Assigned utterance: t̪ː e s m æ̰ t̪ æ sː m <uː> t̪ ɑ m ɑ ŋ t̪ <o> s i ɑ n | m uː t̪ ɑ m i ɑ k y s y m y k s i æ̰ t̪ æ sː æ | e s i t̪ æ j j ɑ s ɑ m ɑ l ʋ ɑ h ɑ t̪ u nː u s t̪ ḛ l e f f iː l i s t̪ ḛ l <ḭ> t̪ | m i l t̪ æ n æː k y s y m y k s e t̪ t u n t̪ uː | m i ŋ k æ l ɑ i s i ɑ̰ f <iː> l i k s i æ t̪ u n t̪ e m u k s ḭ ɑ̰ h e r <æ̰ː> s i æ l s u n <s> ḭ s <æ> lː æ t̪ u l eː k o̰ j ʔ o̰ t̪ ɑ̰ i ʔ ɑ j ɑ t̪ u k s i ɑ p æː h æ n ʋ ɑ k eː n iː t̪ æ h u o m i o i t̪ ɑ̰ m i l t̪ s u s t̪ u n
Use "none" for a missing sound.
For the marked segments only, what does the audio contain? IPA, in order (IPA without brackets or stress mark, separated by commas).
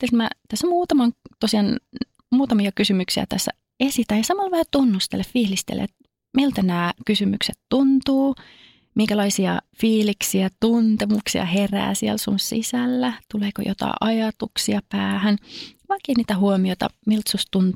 uː, o, ḛ, iː, æ̰ː, s, æ